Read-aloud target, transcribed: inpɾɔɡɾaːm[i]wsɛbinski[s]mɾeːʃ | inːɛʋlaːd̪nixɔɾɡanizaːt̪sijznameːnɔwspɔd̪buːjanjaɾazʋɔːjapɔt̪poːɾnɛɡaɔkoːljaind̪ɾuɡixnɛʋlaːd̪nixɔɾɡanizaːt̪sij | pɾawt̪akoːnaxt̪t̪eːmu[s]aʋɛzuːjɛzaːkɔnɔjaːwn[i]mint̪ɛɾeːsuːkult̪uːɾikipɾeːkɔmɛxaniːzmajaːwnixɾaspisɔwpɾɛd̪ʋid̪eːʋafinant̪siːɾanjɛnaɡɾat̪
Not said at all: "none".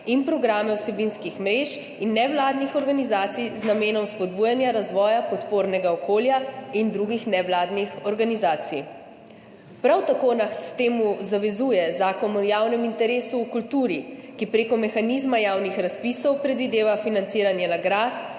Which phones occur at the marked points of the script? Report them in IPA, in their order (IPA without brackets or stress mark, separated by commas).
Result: ɛ, x, z, ɛ